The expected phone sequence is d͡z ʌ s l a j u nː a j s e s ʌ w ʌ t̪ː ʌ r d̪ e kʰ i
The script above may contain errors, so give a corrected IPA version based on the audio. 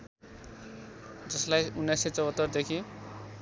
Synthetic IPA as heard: d͡z ʌ s l a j u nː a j s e t͡s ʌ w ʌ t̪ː ʌ r d̪ e kʰ i